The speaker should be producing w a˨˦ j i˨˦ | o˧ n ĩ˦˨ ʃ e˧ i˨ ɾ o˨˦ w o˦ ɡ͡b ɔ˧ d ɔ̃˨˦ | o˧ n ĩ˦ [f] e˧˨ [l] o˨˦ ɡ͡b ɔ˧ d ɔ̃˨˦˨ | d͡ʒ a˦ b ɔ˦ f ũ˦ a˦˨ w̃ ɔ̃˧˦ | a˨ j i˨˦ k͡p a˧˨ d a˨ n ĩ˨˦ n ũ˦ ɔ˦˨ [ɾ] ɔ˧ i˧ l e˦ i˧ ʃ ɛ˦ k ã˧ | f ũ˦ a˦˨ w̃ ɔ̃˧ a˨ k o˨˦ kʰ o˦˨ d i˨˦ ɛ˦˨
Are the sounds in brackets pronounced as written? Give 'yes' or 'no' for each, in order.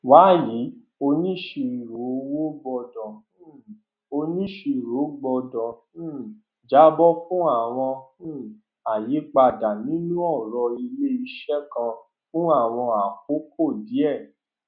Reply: no, no, yes

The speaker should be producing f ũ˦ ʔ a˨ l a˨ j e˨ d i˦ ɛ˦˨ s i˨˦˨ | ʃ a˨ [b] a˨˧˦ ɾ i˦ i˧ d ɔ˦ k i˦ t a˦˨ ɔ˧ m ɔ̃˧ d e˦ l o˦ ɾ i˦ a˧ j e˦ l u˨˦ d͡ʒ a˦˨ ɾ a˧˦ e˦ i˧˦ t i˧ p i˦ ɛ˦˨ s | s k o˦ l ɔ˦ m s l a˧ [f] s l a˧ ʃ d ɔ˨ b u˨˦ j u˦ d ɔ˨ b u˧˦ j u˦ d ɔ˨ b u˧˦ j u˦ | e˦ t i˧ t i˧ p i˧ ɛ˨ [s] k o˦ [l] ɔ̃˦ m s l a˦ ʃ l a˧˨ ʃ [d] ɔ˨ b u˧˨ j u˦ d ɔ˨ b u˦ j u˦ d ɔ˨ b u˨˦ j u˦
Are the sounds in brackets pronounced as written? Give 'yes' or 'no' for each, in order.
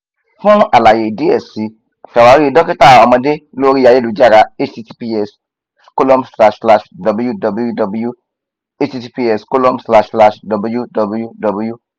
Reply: no, no, yes, yes, yes

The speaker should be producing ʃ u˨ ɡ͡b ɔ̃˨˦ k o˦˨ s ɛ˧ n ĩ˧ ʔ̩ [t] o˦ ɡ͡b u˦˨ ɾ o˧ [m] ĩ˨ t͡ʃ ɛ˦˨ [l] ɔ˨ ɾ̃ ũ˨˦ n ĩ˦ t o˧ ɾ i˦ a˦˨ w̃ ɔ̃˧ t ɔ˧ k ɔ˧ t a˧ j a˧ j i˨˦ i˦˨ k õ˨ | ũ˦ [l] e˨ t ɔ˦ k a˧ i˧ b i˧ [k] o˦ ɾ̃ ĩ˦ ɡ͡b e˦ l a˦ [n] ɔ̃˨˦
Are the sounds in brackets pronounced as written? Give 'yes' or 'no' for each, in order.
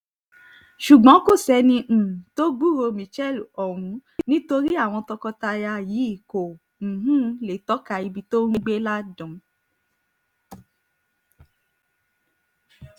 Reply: yes, yes, yes, yes, no, no

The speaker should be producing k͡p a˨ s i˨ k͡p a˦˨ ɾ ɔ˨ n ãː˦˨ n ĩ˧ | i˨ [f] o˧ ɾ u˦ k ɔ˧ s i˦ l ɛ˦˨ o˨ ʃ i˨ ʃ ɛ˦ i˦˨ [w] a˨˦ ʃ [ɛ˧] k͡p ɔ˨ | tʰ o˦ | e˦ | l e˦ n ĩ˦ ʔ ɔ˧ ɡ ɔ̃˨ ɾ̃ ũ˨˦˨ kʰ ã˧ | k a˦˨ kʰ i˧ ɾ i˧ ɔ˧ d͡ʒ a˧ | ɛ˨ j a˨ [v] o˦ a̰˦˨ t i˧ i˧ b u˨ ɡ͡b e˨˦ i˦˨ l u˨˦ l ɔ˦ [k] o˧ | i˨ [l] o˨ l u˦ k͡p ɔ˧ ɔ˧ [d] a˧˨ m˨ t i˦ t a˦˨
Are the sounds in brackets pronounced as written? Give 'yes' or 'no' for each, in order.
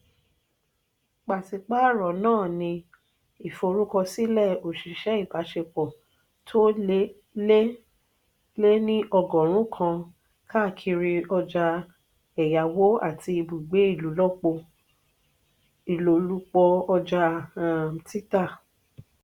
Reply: yes, no, no, no, no, yes, no

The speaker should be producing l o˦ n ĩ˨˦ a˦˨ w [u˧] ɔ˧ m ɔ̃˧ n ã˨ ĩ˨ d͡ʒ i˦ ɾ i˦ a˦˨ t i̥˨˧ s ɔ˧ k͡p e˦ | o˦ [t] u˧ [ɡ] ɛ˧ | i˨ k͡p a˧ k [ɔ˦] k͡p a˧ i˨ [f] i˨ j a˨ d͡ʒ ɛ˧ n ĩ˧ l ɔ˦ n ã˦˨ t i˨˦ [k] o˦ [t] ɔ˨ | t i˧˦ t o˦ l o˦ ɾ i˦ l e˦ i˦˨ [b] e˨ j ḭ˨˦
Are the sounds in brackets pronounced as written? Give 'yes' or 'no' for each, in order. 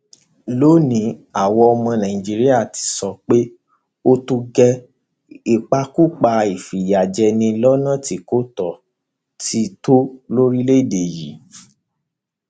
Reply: no, yes, yes, no, yes, yes, yes, no

